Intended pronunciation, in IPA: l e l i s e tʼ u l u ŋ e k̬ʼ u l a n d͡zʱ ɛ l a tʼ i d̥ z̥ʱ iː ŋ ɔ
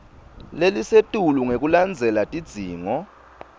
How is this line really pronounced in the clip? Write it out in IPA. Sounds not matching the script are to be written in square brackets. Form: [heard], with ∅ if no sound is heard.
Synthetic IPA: l e l i s e tʼ u l u ŋ e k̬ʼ u l a n d͡zʱ ɛ l a tʼ i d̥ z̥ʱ iː ŋ ɔ